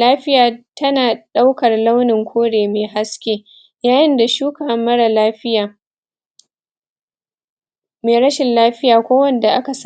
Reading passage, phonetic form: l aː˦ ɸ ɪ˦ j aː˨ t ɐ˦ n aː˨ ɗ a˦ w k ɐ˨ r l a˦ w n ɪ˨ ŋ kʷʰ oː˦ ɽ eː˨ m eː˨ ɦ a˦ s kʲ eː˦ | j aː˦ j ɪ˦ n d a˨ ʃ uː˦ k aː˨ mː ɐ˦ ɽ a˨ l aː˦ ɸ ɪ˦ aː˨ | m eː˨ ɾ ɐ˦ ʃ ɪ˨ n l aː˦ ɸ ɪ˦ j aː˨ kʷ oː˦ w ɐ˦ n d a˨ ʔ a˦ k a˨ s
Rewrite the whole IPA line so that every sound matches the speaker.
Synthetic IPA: l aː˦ ɸ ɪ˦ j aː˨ t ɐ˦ n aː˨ ɗ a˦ w k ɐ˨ r l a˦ w n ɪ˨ ŋ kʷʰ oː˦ ɽ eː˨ m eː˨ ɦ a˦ s kʲ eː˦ | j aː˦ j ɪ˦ n d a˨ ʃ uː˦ k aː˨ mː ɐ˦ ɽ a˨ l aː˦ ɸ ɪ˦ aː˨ | m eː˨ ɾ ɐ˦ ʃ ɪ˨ n l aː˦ ɸ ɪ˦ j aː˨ kʷ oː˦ w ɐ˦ n d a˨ ʔ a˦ k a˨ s